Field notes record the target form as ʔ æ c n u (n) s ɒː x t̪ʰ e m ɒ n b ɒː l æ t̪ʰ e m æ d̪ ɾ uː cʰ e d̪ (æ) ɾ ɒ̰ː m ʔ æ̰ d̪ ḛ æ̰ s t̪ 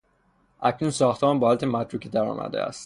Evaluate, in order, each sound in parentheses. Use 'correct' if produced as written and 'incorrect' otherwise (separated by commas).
correct, correct